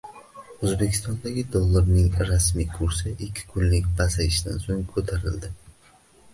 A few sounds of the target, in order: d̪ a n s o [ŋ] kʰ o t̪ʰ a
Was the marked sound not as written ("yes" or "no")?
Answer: no